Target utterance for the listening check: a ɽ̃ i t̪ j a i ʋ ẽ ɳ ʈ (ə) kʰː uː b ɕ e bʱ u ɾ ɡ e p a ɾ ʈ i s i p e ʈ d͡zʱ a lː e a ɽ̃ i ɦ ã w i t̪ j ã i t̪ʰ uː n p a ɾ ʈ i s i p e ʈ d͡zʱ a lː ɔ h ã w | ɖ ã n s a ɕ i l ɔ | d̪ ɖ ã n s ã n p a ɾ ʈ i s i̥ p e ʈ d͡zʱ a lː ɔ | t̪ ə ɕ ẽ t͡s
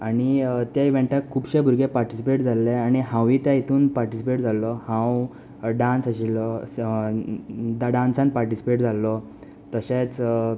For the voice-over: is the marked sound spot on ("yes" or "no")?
no